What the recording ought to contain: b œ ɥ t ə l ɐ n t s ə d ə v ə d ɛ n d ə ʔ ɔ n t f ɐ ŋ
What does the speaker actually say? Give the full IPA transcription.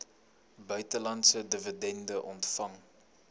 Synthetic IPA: b œ ɥ t ə l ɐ n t s ə d ə v ə d ɛ n d ə ʔ ɔ n t f ɐ ŋ

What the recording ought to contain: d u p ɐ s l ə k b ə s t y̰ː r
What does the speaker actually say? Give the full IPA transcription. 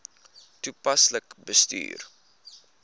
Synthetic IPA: t u p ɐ s l ə k b ə s t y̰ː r

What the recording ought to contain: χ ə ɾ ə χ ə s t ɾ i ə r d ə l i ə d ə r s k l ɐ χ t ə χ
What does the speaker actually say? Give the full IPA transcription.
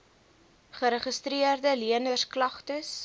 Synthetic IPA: χ ə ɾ ə χ ə s t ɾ i ə r d ə l i ə n ə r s k l ɐ χ t ə s

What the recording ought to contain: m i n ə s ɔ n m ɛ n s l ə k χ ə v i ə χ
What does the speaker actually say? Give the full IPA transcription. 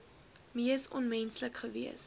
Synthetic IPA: m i ə s ɔ n m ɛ n s l ə k χ ə v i ə s

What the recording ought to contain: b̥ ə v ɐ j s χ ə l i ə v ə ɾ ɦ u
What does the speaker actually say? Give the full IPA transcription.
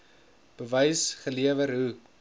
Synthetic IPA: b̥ ə v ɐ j s χ ə l i ə v ə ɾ ɦ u

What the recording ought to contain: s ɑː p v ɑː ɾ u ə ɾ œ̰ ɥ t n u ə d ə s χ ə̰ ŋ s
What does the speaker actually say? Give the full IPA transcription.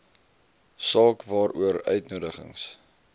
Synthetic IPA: s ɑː k v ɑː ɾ u ə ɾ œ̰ ɥ t n u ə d ə χ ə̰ ŋ s

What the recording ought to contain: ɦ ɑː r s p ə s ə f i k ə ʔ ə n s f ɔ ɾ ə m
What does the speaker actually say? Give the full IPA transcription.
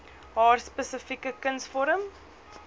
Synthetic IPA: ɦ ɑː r s p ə s ə f i k ə k ə n s f ɔ ɾ ə m

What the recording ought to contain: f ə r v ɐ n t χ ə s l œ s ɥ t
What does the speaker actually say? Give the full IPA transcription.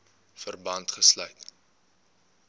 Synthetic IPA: f ə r b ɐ n t χ ə s l œ ɥ t

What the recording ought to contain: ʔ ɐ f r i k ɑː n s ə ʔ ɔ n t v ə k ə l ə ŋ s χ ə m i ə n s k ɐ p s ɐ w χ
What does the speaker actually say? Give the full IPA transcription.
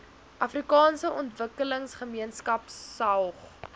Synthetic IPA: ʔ ɐ f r i k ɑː n s ə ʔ ɔ n t v ə k ə l ə ŋ s χ ə m i ə n s k ɐ p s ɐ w χ

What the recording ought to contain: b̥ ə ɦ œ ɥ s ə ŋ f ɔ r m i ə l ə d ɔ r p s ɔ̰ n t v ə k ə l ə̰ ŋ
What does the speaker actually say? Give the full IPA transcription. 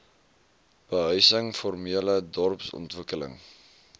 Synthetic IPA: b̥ ə ɦ œ ɥ s ə ŋ f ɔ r m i ə l ə d ɔ r p s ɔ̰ n t v ə k ə l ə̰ ŋ

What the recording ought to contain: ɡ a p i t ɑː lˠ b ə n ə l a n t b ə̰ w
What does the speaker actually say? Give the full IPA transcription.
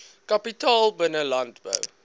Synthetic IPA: k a p i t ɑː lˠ b ə n ə l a n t b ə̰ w

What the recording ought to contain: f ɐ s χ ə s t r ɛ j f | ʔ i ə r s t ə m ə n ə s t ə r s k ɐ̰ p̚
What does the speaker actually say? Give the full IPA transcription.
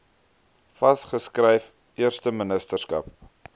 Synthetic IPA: f ɐ s χ ə s k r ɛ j f | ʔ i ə r s t ə m ə n ə s t ə r s k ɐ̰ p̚

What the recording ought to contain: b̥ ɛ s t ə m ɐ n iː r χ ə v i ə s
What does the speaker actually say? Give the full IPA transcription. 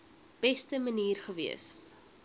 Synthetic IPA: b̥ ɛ s t ə m ə n iː r χ ə v i ə s

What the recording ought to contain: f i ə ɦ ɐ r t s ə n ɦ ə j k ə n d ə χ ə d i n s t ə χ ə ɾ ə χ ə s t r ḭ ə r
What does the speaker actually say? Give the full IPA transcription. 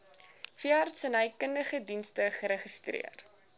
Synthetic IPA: f i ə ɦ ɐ r t s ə n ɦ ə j k ə n d ə χ ə d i n s t ə χ ə ɾ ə χ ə s t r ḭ ə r

